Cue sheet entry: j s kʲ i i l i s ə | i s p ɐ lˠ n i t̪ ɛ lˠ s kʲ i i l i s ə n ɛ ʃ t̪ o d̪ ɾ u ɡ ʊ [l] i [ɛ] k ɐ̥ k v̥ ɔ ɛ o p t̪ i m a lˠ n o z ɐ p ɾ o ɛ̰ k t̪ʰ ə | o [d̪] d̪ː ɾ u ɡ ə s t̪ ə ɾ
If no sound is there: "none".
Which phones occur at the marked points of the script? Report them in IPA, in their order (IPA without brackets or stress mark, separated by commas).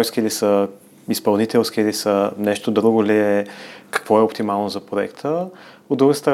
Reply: l, ɛ, d̪